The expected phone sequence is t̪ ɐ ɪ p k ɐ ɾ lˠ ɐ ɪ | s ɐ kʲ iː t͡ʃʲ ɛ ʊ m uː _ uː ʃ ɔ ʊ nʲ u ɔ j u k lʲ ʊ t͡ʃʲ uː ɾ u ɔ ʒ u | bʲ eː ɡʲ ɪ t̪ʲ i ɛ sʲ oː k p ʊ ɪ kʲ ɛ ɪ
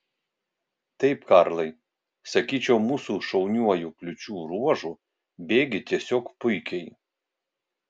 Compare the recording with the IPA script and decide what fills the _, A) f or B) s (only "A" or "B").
B